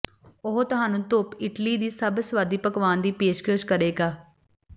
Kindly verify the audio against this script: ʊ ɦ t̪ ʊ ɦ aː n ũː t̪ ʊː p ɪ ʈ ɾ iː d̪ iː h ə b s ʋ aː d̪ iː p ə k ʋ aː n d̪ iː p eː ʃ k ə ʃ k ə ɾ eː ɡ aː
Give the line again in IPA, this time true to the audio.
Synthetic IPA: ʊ ɦ t̪ ʊ ɦ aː n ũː t̪ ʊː p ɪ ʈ l iː d̪ iː s ə b s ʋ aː d̪ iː p ə k ʋ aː n d̪ iː p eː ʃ k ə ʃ k ə ɾ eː ɡ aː